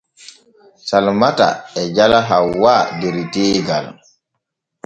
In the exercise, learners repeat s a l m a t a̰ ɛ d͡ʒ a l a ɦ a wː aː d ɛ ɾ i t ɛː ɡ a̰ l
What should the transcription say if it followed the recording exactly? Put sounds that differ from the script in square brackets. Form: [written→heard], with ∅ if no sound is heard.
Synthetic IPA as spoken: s a l m a t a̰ ɛ d͡ʒ a l a ɦ a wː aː d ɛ ɾ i t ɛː ɡ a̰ l

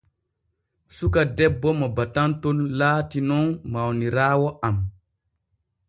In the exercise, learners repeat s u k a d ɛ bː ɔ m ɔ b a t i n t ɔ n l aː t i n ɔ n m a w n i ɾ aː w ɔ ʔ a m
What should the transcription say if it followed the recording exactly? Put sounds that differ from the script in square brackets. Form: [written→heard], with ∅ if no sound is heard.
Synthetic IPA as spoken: s u k a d ɛ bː ɔ m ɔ b a t [i→a] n t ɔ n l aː t i n ɔ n m a w n i ɾ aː w ɔ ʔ a m

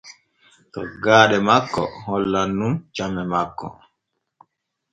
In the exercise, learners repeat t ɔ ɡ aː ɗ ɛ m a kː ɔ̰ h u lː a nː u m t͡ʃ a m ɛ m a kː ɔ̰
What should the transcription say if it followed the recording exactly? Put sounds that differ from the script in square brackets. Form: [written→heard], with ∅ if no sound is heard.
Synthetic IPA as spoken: t ɔ ɡ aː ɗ ɛ m a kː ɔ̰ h [u→ɔ] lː a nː u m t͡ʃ a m ɛ m a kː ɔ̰

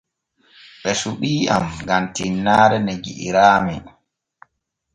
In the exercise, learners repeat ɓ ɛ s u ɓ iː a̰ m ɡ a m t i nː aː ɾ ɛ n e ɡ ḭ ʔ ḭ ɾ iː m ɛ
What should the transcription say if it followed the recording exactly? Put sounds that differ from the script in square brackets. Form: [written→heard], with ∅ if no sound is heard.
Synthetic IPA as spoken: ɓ ɛ s u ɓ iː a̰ m ɡ a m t i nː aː ɾ ɛ n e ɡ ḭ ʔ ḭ ɾ [iː→aː] m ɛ

